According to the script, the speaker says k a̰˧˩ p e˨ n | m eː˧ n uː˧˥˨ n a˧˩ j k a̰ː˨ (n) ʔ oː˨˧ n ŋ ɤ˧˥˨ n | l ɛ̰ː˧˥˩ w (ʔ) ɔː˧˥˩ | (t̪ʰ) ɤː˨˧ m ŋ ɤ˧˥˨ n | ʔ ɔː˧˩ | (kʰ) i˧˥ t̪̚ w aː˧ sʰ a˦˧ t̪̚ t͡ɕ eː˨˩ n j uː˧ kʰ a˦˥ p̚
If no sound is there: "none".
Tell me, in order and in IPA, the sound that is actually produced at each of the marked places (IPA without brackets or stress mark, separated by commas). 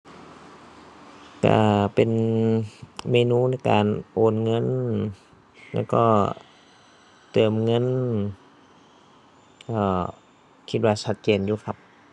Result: n, k, t̪, kʰ